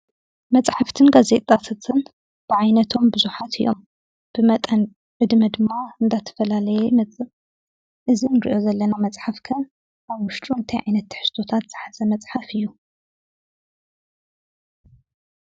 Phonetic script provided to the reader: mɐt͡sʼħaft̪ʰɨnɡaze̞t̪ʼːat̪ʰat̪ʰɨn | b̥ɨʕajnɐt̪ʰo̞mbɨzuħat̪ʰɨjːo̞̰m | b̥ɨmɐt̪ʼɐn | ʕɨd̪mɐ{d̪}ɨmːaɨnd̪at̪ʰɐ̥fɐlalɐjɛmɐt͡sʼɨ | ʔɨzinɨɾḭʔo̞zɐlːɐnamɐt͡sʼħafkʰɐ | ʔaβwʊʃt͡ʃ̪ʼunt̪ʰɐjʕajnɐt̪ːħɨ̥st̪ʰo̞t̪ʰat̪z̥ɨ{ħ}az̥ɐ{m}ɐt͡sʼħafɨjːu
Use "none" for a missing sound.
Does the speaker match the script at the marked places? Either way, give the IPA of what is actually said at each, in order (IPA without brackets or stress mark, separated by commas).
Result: d̪, ħ, m